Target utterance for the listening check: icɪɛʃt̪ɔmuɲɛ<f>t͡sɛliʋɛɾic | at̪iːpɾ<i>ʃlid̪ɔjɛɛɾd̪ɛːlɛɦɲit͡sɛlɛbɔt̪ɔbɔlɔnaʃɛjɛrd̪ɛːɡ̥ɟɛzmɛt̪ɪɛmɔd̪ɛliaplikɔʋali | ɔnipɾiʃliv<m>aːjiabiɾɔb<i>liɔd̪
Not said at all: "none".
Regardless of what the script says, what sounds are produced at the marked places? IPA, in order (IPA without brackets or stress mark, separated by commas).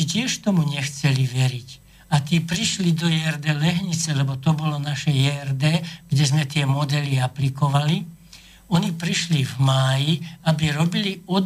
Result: x, i, m, i